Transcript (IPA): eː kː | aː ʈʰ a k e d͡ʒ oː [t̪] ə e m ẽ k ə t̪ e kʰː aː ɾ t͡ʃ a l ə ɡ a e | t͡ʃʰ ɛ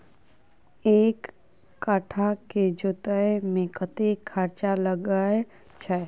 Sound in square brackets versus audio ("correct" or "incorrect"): correct